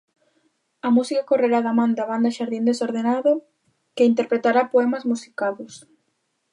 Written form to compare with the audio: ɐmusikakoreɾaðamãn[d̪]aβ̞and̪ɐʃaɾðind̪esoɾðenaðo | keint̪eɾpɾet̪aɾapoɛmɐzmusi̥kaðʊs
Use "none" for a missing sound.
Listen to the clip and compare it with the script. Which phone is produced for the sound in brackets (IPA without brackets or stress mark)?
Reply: d̪